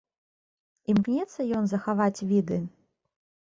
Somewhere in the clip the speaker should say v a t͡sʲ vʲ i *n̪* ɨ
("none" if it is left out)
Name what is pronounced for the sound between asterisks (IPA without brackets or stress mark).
d̪